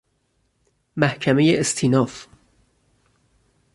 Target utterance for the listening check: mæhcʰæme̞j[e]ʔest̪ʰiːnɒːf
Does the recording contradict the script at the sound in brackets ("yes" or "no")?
no